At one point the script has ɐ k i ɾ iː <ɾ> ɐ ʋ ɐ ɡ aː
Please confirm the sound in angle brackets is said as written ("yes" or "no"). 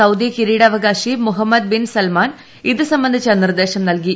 no